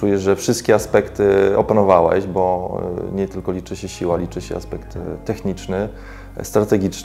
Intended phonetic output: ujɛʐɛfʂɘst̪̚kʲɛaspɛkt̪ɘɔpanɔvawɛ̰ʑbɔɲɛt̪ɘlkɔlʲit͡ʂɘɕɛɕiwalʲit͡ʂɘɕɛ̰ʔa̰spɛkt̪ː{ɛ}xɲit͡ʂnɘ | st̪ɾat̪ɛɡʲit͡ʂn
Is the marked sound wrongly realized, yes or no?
no